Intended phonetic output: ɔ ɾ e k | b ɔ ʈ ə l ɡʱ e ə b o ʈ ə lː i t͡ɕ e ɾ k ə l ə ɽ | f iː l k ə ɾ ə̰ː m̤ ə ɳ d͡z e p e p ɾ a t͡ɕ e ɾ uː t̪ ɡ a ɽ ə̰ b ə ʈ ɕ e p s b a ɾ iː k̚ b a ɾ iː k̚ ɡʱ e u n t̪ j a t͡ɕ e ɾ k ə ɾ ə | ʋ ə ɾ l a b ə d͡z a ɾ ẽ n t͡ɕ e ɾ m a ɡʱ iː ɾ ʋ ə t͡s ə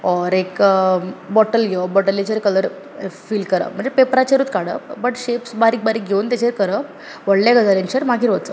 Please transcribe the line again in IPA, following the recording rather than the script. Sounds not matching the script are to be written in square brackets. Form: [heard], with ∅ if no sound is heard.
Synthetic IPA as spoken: ɔ ɾ e k | b ɔ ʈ ə l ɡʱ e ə b [ɔ] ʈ ə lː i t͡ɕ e ɾ k ə l ə [ɾ] | f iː l k ə ɾ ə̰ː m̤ ə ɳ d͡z e p e p ɾ a t͡ɕ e ɾ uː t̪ [k] a ɽ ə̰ b ə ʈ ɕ e p s b a ɾ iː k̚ b a ɾ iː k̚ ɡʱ e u n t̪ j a t͡ɕ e ɾ k ə ɾ ə | ʋ ə [ɽ] l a [ɡ] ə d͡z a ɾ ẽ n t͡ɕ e ɾ m a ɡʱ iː ɾ ʋ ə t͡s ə